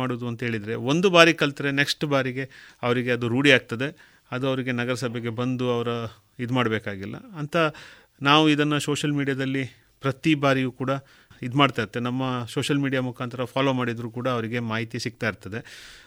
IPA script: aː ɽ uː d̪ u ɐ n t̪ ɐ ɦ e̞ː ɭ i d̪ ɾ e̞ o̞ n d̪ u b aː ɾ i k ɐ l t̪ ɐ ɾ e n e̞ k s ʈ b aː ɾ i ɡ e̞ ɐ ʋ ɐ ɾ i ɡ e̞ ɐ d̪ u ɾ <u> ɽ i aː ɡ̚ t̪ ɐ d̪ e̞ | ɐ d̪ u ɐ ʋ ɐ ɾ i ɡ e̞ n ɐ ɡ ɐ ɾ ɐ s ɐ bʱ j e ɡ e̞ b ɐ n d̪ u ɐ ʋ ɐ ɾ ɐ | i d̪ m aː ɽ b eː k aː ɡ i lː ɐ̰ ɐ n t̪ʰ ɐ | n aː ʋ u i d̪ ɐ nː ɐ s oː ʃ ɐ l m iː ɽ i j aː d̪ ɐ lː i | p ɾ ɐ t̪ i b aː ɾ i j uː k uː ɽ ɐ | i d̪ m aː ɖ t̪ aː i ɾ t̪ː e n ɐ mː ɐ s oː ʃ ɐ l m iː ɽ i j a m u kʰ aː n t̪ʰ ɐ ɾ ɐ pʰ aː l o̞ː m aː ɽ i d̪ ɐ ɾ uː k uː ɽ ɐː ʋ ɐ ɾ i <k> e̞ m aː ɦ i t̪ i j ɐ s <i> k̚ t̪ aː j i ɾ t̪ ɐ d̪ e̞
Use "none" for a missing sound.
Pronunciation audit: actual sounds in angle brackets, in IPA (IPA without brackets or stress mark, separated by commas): uː, ɡ, i